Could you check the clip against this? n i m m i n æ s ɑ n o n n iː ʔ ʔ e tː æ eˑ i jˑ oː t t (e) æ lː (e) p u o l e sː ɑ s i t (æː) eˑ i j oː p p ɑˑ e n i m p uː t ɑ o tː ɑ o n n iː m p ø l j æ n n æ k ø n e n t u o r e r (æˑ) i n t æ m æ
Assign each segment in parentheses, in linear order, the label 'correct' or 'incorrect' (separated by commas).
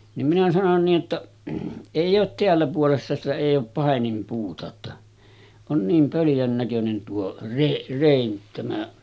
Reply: correct, incorrect, incorrect, incorrect